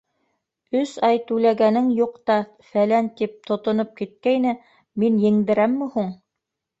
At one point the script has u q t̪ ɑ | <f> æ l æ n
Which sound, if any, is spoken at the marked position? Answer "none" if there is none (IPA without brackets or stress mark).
f